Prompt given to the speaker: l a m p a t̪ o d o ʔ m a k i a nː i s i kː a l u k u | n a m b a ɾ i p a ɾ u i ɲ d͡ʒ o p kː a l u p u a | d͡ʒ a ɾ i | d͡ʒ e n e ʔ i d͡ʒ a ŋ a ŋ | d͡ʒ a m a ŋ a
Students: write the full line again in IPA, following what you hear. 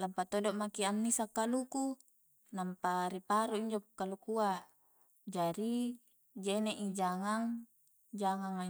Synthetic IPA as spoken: l a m p a t̪ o d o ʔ m a k i a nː i s a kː a l u k u | n a m p a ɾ i p a ɾ u i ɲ d͡ʒ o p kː a l u k u a | d͡ʒ a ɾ i | d͡ʒ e n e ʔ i d͡ʒ a ŋ a ŋ | d͡ʒ a ŋ a ŋ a